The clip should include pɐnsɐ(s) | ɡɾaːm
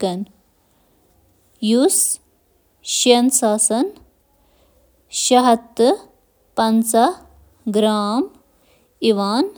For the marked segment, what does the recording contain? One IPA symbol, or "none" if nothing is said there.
none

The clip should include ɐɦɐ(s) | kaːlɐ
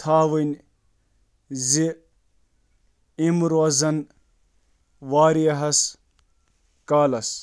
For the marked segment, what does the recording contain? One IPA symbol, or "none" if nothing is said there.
s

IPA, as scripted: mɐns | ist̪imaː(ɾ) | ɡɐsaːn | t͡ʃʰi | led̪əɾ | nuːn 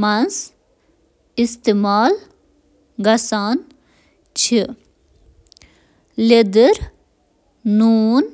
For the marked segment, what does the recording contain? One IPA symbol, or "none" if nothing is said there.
l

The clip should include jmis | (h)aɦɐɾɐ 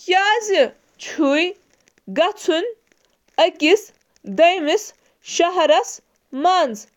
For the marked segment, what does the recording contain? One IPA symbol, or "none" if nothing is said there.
ʃ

